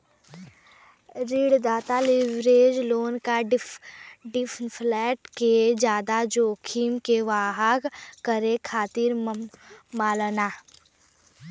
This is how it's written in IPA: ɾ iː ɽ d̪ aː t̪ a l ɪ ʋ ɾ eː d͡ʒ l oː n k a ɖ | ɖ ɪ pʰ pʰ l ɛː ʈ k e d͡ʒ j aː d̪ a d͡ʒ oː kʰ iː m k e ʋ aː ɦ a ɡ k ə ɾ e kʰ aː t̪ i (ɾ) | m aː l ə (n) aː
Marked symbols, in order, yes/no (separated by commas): yes, yes